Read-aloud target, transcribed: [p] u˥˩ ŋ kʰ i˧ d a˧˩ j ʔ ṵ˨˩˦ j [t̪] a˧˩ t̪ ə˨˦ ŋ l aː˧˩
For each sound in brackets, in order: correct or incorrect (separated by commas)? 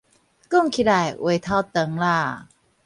incorrect, incorrect